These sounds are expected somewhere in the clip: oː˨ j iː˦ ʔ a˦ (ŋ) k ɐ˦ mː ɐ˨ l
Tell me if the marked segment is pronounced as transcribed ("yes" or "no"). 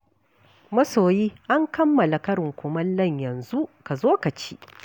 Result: yes